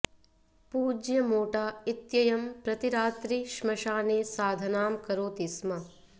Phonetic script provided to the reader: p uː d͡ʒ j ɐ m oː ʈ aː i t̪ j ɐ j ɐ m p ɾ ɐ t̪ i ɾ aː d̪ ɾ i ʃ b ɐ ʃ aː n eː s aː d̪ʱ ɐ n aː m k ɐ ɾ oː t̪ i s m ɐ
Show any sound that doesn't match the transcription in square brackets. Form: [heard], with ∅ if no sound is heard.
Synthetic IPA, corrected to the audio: p uː d͡ʒ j ɐ m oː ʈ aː i t̪ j ɐ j ɐ m p ɾ ɐ t̪ i ɾ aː [t̪] ɾ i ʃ [m] ɐ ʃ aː n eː s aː d̪ʱ ɐ n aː m k ɐ ɾ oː t̪ i s m ɐ